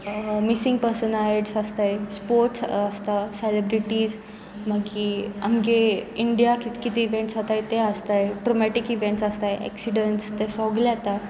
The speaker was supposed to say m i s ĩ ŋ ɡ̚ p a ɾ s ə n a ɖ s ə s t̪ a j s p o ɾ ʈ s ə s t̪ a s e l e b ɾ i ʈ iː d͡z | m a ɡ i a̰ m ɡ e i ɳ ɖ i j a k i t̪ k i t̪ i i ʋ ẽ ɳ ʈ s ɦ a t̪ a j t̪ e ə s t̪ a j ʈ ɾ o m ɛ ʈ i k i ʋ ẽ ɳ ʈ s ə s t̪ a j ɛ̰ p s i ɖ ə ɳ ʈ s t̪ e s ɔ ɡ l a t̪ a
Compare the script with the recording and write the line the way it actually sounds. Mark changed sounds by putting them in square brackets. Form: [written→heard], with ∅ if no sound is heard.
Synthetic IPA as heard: m i s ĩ ŋ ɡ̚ p [a→ə] ɾ s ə n a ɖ s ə s t̪ a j s p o ɾ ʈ s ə s t̪ a s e l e b ɾ i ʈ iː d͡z | m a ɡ i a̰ m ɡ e i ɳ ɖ i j a k i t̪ k i t̪ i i ʋ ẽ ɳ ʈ s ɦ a t̪ a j t̪ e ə s t̪ a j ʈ ɾ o m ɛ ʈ i k i ʋ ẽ ɳ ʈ s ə s t̪ a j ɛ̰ [p→k] s i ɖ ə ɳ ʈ s t̪ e s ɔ ɡ l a t̪ a